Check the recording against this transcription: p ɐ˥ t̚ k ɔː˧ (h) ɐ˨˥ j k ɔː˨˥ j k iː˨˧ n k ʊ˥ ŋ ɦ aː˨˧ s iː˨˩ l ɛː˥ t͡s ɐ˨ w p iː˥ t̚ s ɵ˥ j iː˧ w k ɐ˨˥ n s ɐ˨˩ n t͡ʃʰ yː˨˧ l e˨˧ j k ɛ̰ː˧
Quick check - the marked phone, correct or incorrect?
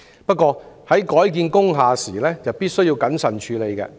correct